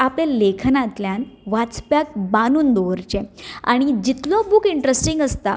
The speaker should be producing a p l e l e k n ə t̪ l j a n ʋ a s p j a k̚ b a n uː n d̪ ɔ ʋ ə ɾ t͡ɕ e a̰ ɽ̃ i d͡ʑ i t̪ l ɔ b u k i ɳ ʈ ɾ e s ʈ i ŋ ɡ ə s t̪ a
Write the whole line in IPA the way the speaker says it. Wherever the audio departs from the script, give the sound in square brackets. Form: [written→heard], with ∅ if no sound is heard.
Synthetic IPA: a p l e l e [k→kʰ] n [ə→a] t̪ l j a n ʋ a [s→t͡s] p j a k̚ b a n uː n d̪ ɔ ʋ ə ɾ t͡ɕ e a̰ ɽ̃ i d͡ʑ i t̪ l ɔ b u k i ɳ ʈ ɾ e s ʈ i ŋ ɡ ə s t̪ a